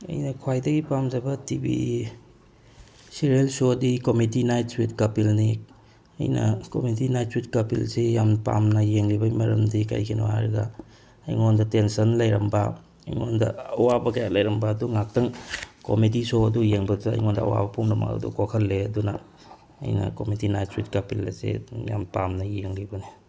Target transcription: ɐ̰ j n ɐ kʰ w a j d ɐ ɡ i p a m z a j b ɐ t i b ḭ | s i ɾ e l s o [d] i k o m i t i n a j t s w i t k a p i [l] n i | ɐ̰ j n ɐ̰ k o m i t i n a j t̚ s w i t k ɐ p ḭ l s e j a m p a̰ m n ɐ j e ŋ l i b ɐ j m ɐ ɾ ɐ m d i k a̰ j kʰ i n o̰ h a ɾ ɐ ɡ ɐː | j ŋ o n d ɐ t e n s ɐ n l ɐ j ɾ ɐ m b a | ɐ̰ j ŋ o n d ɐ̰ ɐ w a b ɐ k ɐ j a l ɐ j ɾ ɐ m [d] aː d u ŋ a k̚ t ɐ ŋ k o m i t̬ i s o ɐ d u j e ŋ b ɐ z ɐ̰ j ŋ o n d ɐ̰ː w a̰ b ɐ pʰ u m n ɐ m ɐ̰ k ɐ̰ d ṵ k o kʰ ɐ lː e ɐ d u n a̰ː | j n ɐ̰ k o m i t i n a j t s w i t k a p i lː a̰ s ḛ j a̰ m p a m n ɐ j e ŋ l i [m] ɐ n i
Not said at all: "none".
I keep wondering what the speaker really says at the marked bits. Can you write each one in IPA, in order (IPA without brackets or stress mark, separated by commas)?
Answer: d, l, b, b